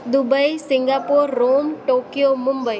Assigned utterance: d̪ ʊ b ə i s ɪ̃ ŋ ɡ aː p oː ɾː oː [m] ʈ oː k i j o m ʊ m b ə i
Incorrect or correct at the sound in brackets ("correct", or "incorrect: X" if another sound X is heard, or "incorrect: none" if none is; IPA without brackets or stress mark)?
correct